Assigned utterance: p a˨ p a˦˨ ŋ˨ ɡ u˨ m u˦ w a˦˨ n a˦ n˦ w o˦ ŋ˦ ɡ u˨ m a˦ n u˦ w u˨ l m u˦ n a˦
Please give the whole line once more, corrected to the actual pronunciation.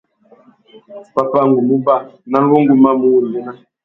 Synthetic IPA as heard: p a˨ p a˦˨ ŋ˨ ɡ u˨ m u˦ b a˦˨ n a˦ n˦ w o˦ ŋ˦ ɡ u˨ m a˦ m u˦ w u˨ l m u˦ n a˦